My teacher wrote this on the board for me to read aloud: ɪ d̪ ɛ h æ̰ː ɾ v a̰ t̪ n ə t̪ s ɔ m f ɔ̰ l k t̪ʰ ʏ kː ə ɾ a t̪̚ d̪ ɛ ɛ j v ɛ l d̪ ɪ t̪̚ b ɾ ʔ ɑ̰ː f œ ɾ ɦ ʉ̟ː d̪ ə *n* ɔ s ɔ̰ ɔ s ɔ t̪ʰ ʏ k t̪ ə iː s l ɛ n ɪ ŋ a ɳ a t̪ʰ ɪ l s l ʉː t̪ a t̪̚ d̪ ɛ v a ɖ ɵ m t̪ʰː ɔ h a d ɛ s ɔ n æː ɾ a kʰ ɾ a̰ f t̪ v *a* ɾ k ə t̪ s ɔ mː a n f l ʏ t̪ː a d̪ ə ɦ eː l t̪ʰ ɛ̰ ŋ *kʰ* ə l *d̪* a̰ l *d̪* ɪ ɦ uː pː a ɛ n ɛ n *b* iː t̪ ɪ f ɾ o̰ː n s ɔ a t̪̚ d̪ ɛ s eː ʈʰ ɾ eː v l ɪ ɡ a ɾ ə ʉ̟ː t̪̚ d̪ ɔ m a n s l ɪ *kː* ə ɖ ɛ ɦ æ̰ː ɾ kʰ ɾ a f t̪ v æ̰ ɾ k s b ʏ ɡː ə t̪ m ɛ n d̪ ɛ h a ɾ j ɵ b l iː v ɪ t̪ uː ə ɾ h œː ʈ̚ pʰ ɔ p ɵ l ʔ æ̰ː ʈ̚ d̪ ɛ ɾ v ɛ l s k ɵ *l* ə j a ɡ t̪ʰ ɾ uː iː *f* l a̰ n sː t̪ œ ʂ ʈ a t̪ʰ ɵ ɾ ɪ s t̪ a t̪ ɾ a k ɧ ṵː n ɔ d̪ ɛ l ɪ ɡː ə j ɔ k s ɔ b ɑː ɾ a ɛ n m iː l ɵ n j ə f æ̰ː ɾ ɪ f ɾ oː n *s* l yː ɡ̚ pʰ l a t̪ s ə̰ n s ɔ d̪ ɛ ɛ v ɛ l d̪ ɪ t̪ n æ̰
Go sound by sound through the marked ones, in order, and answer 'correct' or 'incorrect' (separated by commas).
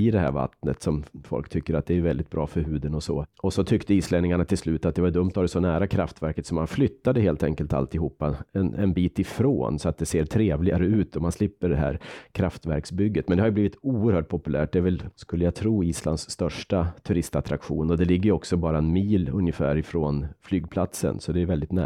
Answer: correct, incorrect, incorrect, incorrect, incorrect, correct, incorrect, incorrect, incorrect, incorrect